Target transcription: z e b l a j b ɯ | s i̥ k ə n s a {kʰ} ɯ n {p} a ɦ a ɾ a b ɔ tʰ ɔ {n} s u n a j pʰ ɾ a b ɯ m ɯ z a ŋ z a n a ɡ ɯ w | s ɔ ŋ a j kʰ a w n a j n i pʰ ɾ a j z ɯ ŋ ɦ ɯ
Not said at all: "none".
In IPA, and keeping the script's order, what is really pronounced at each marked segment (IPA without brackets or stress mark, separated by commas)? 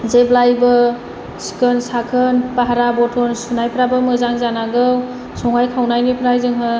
kʰ, p, n